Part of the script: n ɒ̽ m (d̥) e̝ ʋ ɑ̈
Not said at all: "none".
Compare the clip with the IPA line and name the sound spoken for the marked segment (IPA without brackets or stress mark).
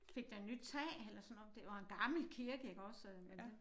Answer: d̥